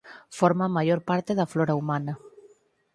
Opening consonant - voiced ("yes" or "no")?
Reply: no